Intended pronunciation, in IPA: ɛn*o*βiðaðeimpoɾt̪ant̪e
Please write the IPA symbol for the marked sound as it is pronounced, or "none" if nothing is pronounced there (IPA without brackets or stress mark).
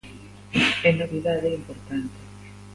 o